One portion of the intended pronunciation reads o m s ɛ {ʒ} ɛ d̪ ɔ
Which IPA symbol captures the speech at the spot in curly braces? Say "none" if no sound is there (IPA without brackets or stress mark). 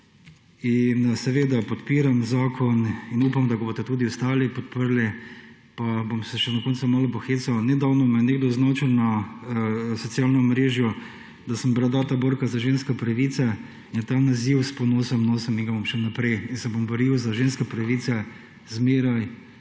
ʃ